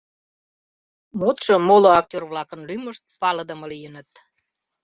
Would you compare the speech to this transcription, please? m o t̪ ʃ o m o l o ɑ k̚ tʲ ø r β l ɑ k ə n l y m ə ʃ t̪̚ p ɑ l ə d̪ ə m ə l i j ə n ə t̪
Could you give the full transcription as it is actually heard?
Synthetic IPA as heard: m o t̪ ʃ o m o l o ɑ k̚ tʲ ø r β l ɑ k ə n l y m ə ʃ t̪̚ p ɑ l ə d̪ ə m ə l i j ə n ə t̪